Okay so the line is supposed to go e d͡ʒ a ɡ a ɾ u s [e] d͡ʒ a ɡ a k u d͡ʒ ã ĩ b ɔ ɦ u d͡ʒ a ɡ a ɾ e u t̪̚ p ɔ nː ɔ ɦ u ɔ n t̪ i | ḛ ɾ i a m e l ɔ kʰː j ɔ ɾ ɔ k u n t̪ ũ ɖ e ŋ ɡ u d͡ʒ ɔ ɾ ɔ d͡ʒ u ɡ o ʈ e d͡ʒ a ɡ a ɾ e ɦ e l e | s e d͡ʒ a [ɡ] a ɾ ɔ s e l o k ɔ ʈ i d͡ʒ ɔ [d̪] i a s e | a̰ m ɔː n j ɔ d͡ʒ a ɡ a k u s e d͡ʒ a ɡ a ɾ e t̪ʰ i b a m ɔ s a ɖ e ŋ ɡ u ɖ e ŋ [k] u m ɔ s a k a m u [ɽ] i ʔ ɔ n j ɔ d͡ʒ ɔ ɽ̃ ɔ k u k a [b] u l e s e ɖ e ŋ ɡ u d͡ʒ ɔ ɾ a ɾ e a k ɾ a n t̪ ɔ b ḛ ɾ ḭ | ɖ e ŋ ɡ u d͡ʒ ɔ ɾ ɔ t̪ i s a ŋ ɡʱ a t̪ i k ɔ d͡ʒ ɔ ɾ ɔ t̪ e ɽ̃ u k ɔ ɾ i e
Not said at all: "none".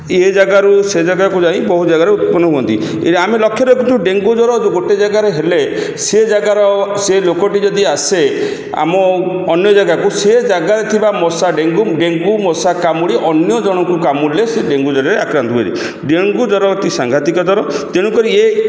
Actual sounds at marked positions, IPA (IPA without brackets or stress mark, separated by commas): e, ɡ, d̪, ɡ, ɽ, m